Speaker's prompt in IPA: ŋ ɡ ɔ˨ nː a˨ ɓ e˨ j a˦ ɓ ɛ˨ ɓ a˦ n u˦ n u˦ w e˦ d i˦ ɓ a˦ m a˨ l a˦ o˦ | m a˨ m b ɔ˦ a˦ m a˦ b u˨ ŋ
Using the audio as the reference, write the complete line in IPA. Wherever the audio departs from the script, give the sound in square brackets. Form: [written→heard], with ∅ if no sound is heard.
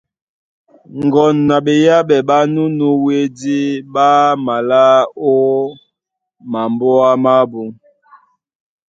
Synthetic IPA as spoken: ŋ ɡ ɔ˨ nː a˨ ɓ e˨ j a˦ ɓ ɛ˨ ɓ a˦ n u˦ n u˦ w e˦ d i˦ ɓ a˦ m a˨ l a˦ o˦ | m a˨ m b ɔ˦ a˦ m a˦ b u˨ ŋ